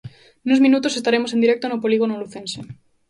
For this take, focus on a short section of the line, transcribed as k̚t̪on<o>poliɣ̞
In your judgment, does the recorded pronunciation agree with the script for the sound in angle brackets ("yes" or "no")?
yes